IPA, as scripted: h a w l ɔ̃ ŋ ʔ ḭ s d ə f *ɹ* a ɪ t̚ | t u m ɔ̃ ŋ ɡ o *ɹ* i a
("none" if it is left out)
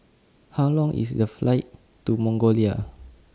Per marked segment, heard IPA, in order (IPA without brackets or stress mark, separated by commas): l, l